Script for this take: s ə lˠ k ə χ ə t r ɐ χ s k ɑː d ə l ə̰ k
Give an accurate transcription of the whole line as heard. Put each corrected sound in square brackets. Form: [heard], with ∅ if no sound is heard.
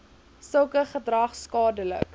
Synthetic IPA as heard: s ə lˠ k ə χ ə [d] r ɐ χ s k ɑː d ə l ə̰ k

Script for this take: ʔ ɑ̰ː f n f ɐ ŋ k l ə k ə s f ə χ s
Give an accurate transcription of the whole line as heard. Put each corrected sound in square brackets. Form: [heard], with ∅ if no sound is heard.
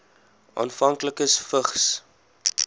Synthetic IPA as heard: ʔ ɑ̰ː [∅] n f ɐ ŋ k l ə k ə s f ə χ s

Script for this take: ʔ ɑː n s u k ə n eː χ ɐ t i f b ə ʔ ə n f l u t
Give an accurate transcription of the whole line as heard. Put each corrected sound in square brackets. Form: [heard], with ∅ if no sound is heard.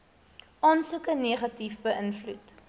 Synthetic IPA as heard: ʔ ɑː n s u k ə n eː χ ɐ t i f b ə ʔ ə n f l u t

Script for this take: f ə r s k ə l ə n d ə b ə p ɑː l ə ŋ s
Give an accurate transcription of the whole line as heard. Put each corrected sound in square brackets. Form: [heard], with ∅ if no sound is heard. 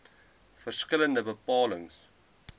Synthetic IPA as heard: f ə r s k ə l ə n d ə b ə p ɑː l ə ŋ s

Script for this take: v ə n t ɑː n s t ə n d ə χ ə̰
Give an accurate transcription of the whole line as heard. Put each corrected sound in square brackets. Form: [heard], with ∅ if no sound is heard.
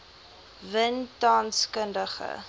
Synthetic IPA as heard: v ə n t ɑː n s [k] ə n d ə χ ə̰

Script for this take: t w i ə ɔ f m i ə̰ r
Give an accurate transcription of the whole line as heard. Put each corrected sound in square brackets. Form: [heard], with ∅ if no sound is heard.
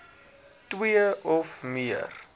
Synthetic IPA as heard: t w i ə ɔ f m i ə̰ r

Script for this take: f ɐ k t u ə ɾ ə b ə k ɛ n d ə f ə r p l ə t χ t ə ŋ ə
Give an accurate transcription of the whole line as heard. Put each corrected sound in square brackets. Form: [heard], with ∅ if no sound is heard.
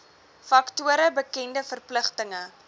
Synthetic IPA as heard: f ɐ k t u ə ɾ ə b ə k ɛ n d ə f ə r p l ə [∅] χ t ə ŋ ə

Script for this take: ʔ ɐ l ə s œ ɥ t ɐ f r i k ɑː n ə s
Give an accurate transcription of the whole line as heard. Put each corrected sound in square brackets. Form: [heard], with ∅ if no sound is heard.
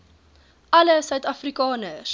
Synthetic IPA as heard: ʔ ɐ l ə s œ ɥ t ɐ f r i k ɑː n ə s

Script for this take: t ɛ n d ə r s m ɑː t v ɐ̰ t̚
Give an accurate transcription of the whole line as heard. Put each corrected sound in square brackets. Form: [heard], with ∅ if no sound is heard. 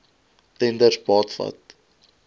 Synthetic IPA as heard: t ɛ n d ə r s [b] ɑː t [f] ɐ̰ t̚

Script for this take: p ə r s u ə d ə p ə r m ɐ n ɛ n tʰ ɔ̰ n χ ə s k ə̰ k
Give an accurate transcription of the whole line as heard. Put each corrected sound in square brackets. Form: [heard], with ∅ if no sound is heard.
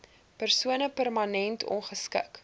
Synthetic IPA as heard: p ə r s u ə [n] ə p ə r m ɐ n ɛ n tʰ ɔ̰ n χ ə s k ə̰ k

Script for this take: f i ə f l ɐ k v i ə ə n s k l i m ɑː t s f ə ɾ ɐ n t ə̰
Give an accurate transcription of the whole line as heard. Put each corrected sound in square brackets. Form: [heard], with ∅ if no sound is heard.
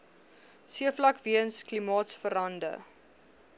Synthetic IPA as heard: [s] i ə f l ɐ k v i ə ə n s k l i m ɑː t s f ə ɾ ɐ n [d] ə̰

